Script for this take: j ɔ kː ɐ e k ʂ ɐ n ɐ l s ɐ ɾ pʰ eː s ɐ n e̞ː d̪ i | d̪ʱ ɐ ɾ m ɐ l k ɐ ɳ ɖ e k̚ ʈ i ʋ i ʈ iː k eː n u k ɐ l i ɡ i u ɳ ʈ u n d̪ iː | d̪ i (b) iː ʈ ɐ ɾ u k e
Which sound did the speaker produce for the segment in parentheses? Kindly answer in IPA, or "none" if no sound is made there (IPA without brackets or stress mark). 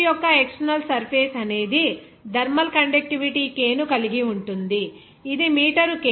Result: m